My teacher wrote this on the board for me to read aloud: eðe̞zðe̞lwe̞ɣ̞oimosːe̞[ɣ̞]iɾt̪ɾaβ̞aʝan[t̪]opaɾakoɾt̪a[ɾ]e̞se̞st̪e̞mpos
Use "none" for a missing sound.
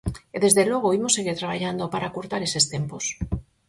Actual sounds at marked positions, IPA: ɣ̞, d̪, ɾ

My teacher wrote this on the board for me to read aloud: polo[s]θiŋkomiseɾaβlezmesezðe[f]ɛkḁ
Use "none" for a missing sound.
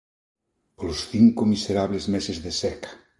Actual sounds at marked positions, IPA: s, s

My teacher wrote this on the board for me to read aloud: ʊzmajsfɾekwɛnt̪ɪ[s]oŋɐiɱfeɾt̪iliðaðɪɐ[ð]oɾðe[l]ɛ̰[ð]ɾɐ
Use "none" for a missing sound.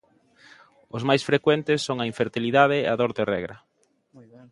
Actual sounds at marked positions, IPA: sː, ð, r, ɣ

